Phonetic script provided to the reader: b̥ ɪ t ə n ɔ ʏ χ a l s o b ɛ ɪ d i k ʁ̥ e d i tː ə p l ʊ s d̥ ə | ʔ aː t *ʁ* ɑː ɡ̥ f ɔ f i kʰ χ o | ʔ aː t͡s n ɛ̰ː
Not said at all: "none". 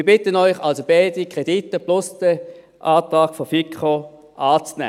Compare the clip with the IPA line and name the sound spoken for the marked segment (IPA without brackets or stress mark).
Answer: ʁ